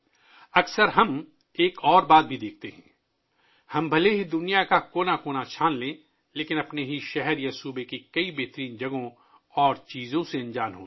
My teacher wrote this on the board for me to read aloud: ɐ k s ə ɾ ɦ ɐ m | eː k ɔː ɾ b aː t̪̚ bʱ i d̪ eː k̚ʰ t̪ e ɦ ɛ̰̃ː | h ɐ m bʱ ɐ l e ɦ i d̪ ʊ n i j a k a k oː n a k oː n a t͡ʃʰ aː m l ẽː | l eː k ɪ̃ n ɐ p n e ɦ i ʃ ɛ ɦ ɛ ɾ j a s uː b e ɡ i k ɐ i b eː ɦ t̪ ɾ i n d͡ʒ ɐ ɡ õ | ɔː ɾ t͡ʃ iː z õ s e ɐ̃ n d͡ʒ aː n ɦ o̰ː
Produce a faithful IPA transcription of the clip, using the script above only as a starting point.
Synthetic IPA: ɐ k s ə ɾ ɦ ɐ m | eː k ɔː ɾ b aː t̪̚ bʱ i d̪ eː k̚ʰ t̪ e ɦ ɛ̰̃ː | h ɐ m bʱ ɐ l e ɦ i d̪ ʊ n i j a k a k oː n a k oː n a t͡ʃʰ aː n l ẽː | l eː k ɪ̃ n ɐ p n e ɦ i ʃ ɛ ɦ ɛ ɾ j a s uː b e k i k ɐ i b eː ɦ t̪ ɾ iː n d͡ʒ ɐ ɡ õ | ɔː ɾ t͡ʃ iː z õ s e ɐ̃ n d͡ʒ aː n ɦ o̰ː